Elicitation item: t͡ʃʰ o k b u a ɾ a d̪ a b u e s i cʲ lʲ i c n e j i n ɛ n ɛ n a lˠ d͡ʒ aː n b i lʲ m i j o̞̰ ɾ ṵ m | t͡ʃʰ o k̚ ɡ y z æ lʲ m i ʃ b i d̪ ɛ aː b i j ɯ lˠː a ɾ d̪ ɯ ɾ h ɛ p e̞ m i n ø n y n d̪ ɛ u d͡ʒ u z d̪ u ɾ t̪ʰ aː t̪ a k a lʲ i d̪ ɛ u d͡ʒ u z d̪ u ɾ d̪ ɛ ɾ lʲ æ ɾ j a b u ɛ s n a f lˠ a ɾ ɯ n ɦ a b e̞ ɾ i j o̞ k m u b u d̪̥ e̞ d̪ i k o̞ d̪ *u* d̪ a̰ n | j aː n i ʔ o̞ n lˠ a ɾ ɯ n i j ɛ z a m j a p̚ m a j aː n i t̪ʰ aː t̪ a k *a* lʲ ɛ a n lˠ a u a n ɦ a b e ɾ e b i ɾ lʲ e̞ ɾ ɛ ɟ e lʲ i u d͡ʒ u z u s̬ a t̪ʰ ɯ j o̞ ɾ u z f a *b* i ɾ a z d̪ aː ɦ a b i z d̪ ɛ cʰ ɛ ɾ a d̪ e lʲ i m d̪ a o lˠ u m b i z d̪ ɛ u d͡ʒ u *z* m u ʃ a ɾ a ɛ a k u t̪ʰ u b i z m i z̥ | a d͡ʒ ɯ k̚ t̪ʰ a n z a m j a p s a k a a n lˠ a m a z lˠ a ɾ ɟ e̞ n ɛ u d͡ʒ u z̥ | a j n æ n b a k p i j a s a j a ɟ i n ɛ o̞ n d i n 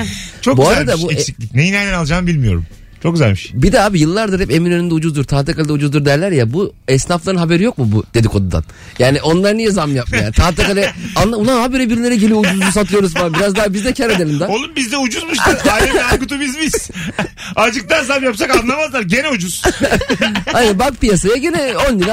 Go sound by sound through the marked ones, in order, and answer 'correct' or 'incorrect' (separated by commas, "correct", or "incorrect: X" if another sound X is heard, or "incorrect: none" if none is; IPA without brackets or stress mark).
correct, correct, correct, correct